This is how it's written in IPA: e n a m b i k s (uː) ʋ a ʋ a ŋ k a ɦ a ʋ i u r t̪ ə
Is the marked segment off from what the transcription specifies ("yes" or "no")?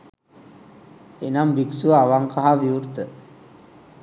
yes